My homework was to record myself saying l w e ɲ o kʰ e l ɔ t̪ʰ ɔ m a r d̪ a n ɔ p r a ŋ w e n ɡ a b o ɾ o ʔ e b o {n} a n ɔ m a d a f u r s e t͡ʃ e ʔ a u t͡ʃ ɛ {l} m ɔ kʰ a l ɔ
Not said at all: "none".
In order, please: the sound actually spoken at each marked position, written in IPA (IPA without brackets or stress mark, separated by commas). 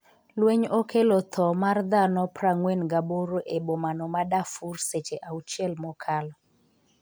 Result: m, l